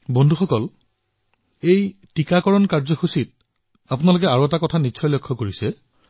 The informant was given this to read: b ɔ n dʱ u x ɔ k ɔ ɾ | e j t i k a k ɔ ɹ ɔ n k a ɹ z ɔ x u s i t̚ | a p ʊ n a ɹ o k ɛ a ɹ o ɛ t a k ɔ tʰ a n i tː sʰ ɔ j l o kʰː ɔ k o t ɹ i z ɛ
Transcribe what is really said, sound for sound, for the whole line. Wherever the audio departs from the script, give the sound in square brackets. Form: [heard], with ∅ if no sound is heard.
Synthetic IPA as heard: b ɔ n dʱ u x ɔ k ɔ [l] | e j t i k a k ɔ ɹ ɔ n k a ɹ z ɔ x u s i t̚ | a p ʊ n a [l] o k ɛ a ɹ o ɛ t a k ɔ tʰ a n i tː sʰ ɔ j l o kʰː ɔ k o [∅] ɹ i [s] ɛ